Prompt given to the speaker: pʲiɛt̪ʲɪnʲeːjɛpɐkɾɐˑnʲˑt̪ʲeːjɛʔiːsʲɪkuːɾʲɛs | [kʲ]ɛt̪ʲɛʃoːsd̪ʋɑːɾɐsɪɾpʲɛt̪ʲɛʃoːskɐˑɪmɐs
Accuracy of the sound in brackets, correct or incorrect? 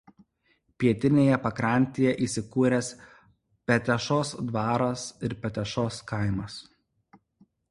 incorrect